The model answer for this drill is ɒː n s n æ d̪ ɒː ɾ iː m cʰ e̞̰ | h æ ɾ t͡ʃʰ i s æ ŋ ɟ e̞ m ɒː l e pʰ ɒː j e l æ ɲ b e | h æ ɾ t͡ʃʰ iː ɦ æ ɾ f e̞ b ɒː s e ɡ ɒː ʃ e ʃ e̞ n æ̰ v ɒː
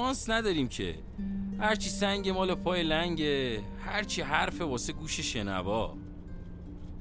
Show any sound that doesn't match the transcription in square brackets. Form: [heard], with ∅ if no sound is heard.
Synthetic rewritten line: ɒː n s n æ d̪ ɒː ɾ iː m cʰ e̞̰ | h æ ɾ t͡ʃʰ i s æ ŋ ɟ e̞ m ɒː l e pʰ ɒː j e l æ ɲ [ɟ] e | h æ ɾ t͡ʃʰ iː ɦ æ ɾ f e̞ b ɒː s e ɡ [uː] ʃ e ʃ e̞ n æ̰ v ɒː